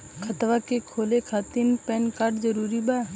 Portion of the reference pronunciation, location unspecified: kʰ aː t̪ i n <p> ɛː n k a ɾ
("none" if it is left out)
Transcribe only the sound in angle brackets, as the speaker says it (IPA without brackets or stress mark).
p